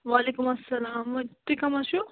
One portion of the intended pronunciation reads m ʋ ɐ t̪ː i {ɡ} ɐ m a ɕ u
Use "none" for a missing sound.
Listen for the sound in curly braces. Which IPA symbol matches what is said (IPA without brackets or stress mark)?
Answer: k